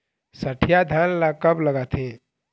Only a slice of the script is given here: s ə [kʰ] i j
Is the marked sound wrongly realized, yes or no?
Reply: yes